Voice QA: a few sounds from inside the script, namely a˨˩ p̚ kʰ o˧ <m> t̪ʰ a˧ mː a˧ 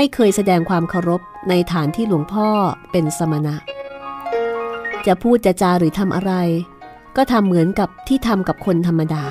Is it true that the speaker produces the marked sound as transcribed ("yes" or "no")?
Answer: no